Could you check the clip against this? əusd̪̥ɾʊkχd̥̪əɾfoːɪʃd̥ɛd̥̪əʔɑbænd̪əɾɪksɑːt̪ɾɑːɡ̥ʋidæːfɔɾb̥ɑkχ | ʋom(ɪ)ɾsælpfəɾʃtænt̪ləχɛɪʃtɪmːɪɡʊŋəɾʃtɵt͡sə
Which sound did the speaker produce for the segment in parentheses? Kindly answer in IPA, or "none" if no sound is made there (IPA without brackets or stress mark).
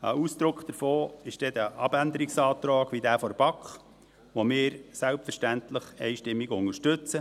ɪː